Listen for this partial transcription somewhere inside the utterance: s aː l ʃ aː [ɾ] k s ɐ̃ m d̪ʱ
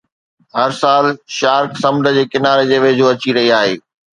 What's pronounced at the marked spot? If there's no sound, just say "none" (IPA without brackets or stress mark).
ɾ